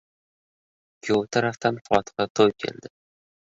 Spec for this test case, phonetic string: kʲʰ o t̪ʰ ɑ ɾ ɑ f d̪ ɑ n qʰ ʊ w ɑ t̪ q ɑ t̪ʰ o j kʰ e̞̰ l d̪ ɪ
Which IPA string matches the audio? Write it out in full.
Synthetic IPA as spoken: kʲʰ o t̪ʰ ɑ ɾ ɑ f t̪ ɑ n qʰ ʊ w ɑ t̪ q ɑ t̪ʰ o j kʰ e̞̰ l d̪ ɪ